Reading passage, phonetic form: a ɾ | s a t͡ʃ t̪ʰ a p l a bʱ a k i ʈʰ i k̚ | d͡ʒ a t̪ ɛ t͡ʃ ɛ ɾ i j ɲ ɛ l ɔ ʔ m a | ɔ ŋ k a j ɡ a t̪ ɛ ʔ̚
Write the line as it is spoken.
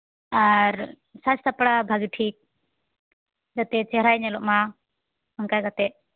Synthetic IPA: a ɾ | s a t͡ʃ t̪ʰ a p ɽ a bʱ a ɡ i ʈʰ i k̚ | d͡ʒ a t̪ ɛ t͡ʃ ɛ ɾ a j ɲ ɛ l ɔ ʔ m a | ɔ ŋ k a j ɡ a t̪ ɛ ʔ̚